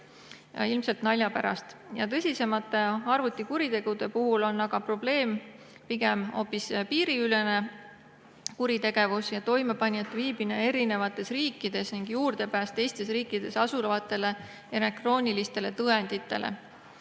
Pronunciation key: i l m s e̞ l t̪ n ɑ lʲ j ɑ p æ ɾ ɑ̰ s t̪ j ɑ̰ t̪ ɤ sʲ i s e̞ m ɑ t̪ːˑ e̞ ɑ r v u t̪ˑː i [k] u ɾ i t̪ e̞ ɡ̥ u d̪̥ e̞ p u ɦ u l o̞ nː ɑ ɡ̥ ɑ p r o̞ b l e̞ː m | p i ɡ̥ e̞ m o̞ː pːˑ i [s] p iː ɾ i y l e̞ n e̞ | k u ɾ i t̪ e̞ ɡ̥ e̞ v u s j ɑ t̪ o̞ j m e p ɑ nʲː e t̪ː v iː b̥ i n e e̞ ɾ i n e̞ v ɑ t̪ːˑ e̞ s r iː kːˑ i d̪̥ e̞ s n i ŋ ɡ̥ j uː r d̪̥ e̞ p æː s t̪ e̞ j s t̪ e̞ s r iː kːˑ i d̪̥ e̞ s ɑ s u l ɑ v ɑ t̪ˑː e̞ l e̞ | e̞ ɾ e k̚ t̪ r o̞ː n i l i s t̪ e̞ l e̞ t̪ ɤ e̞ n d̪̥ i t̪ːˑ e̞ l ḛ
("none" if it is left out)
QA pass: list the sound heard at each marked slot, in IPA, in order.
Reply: k, s

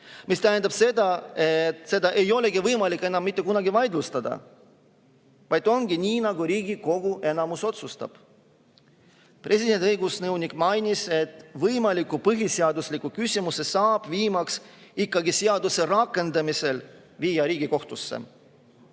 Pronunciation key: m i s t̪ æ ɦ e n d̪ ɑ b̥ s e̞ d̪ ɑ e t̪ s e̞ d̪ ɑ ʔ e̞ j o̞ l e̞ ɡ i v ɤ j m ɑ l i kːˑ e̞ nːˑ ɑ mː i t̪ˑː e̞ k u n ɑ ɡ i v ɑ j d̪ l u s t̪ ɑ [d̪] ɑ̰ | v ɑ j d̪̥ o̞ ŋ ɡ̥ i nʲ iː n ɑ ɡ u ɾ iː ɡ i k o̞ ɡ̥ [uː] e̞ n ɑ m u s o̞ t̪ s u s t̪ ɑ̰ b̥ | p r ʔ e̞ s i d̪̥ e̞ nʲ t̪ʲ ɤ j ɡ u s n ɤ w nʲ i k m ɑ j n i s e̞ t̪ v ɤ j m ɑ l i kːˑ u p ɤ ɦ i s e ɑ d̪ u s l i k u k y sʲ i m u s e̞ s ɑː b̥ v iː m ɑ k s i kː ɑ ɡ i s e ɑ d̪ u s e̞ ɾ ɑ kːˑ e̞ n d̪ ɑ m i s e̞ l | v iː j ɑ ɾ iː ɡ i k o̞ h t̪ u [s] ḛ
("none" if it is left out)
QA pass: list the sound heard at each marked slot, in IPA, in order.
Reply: d̪, u, sː

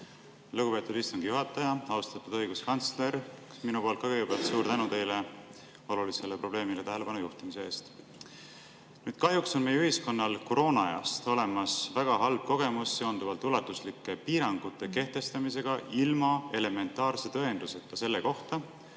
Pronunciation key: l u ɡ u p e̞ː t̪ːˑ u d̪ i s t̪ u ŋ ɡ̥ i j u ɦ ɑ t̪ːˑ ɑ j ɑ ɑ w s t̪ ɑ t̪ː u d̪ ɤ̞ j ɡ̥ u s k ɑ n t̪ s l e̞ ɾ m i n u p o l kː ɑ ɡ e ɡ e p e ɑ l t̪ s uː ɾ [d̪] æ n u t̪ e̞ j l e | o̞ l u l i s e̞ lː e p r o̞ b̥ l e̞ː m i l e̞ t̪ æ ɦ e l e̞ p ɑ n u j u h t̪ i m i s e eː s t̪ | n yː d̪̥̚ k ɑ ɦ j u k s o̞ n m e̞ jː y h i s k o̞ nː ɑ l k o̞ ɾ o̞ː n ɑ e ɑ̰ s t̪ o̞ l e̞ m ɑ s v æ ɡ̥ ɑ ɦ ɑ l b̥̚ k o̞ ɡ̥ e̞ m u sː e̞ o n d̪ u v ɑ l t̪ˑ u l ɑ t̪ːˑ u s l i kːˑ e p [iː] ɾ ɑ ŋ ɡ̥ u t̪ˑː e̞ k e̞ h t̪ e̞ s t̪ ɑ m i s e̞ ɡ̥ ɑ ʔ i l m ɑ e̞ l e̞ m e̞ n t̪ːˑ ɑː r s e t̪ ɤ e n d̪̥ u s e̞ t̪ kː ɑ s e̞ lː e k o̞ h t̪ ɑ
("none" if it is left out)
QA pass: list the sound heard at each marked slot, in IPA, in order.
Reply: t̪, iː

